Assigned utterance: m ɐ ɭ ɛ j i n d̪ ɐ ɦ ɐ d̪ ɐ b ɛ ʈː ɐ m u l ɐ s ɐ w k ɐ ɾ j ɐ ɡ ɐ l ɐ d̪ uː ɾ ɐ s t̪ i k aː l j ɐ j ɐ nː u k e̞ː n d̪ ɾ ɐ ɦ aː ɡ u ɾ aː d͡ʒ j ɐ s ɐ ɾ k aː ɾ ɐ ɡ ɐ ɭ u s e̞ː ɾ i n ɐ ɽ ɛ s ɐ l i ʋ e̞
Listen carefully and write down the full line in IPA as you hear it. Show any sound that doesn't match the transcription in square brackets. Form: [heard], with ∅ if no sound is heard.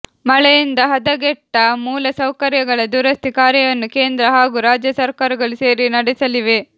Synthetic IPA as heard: m ɐ ɭ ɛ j i n d̪ ɐ ɦ ɐ d̪ ɐ [ɡ] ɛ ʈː ɐ m [uː] l ɐ s ɐ w k ɐ ɾ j ɐ ɡ ɐ [ɭ] ɐ d̪ uː ɾ ɐ s t̪ i k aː [ɾ] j ɐ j ɐ nː u k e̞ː n d̪ ɾ ɐ ɦ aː ɡ u ɾ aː d͡ʒ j ɐ s ɐ ɾ k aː ɾ ɐ ɡ ɐ ɭ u s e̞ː ɾ i n ɐ ɽ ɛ s ɐ l i ʋ e̞